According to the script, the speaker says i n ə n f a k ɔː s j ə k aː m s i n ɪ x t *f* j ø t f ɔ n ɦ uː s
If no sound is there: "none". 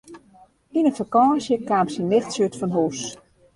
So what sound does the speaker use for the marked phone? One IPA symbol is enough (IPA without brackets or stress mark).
s